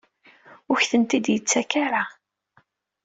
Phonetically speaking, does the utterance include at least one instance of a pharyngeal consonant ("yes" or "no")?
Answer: no